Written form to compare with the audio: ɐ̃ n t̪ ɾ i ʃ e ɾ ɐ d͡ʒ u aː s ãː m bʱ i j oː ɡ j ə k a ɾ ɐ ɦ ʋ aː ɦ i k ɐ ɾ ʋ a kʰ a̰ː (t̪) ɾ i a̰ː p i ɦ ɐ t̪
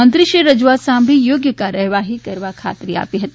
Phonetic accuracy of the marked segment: correct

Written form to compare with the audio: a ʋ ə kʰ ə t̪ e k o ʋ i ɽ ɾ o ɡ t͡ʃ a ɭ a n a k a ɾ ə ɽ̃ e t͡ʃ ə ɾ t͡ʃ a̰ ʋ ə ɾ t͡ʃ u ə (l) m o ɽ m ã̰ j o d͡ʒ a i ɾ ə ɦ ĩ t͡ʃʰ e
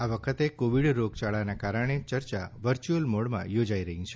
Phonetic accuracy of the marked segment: correct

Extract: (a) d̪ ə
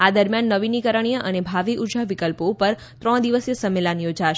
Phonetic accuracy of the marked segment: correct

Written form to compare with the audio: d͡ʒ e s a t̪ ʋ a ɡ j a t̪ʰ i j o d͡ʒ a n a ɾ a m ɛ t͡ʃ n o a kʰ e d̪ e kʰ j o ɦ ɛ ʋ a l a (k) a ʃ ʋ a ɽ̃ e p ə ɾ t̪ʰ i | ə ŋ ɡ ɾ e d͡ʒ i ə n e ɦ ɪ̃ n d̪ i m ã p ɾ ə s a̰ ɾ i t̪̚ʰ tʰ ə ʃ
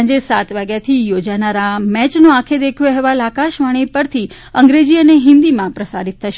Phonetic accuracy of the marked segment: correct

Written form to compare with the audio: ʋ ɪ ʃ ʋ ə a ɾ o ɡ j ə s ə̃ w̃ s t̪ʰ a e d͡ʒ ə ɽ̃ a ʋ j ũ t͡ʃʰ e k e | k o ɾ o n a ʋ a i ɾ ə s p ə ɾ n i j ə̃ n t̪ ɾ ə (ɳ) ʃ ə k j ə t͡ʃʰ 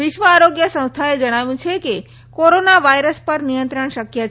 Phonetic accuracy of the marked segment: correct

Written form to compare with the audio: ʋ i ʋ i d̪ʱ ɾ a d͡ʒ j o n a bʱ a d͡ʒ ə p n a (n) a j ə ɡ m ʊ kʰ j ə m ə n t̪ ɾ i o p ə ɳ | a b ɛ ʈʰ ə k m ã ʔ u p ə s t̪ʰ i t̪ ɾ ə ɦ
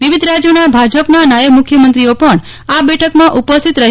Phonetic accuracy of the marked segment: correct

